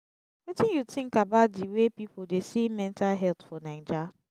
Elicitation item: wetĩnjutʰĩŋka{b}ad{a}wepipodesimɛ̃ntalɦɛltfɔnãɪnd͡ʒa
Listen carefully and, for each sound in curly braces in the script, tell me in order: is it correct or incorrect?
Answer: correct, incorrect: i

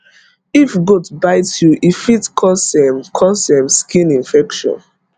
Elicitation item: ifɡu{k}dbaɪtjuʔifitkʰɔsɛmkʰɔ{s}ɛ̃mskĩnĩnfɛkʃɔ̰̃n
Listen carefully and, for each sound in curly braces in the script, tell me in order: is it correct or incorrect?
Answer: incorrect: none, correct

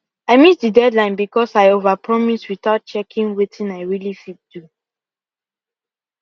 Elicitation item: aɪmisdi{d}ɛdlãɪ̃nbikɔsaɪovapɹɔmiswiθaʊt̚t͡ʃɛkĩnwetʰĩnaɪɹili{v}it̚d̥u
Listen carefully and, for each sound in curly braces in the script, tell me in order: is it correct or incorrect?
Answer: correct, incorrect: f

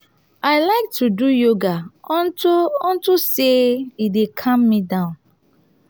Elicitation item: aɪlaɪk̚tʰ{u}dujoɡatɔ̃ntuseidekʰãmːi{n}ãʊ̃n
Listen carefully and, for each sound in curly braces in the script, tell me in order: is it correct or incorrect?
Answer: correct, incorrect: d

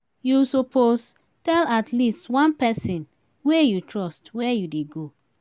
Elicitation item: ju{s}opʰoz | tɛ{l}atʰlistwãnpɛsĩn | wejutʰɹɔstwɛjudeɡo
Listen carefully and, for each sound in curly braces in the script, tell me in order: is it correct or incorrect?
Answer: correct, correct

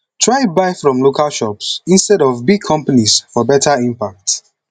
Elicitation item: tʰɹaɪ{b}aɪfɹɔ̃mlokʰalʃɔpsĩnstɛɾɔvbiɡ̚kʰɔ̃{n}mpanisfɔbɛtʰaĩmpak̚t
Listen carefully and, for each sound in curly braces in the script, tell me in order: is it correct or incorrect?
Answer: correct, incorrect: none

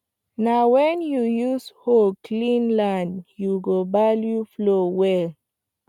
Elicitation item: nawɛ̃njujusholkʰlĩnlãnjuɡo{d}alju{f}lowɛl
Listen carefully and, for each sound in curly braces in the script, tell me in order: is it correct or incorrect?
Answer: incorrect: b, correct

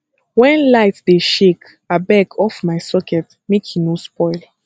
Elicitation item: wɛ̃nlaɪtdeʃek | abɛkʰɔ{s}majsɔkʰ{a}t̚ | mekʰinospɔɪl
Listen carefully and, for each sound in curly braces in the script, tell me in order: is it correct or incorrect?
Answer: incorrect: f, incorrect: ɛ

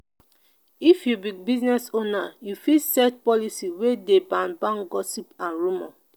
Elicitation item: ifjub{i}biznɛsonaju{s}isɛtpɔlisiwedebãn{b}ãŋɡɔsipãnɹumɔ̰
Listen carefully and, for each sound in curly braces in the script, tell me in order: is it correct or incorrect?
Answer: correct, incorrect: f, correct

